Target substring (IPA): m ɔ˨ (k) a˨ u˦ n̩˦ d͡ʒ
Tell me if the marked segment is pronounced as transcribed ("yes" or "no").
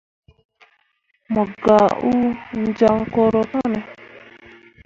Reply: no